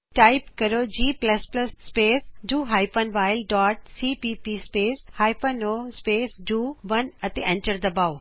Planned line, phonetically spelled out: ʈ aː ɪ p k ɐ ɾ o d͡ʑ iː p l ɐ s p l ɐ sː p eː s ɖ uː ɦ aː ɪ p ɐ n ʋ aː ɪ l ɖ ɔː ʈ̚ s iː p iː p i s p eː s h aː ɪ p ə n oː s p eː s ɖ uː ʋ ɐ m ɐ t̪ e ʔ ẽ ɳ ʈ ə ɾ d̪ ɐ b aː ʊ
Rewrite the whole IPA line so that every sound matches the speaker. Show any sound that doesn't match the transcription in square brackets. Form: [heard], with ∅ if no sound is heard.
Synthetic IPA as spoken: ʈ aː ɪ p k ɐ ɾ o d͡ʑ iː p l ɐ s p l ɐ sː p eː s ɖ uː ɦ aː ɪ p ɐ n ʋ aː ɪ l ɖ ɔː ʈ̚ s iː p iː p i s p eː s h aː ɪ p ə n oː s p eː s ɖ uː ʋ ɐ [n] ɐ t̪ e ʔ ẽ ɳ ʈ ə ɾ d̪ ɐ b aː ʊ